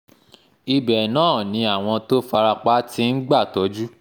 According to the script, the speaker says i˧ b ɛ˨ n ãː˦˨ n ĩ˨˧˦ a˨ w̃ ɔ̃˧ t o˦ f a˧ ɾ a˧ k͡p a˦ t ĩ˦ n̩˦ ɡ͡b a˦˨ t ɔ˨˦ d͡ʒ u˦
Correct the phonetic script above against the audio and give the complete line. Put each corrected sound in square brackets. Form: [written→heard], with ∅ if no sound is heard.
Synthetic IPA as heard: i˧ b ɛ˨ n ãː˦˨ n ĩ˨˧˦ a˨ w̃ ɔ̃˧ t o˦ f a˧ ɾ a˧ k͡p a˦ t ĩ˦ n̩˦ ɡ͡b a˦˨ t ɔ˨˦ d͡ʒ u˦